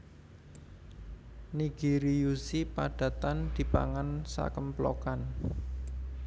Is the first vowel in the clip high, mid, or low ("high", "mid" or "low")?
high